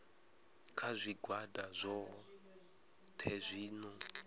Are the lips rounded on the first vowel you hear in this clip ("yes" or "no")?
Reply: no